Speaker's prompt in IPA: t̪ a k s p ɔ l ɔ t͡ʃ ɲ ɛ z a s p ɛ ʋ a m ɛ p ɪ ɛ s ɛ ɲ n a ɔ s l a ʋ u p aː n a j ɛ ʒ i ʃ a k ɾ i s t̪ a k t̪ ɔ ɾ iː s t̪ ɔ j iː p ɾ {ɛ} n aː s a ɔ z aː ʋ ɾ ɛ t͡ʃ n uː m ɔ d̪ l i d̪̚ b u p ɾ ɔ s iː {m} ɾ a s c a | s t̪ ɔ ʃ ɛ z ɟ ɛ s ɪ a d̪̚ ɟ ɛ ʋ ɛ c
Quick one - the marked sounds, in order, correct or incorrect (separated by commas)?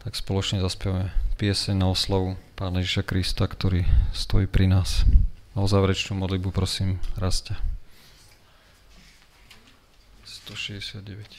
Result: incorrect, correct